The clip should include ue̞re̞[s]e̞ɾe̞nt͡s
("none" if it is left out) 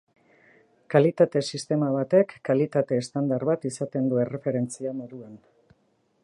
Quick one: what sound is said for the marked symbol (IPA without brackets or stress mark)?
f